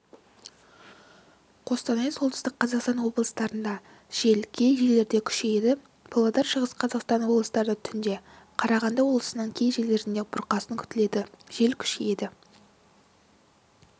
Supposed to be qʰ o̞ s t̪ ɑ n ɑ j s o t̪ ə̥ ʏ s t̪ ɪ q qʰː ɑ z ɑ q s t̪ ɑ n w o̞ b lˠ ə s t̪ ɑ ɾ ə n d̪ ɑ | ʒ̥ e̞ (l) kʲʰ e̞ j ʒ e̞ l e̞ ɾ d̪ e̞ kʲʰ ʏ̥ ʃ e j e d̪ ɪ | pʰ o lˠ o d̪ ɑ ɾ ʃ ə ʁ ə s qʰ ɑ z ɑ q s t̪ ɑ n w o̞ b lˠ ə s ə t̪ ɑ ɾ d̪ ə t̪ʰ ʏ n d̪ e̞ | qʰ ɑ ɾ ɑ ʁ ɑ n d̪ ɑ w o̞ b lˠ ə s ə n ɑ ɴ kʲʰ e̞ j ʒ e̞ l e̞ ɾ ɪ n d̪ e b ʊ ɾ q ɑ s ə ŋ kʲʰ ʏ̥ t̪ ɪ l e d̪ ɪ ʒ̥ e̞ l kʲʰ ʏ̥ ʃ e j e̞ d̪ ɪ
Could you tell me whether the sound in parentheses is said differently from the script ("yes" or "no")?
no